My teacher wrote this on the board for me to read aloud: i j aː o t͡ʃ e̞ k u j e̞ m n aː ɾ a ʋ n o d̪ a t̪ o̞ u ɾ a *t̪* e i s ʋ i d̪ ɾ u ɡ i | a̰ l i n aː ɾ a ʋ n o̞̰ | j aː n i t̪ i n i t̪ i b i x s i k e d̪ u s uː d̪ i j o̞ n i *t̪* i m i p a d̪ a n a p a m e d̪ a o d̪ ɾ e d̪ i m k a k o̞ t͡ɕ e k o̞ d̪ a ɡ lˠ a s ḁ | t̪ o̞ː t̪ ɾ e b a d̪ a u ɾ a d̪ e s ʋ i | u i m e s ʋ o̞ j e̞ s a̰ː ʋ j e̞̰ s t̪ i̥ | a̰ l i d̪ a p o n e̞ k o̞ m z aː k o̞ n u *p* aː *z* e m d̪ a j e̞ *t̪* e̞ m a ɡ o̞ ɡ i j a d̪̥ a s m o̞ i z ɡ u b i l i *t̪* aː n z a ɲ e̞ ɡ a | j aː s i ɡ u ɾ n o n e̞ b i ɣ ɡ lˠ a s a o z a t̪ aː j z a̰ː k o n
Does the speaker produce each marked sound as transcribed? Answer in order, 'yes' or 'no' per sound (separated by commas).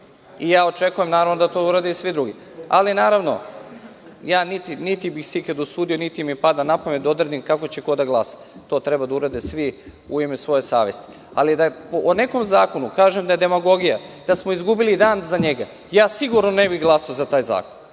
no, yes, no, no, no, no